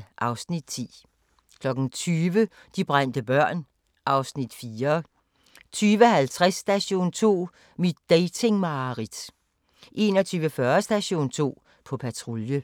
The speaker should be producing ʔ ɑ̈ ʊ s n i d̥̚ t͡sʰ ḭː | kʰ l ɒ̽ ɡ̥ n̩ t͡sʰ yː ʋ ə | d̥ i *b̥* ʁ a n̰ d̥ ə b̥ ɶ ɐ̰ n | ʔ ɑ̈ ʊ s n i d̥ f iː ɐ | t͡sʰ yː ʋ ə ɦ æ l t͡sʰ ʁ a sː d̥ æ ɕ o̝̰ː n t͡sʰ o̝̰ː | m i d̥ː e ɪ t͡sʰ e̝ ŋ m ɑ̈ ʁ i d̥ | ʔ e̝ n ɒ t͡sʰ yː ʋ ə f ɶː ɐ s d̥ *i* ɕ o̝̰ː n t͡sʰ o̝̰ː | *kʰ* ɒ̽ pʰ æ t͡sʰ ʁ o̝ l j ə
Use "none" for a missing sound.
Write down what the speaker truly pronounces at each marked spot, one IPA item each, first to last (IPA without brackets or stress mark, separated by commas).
b̥, æ, pʰ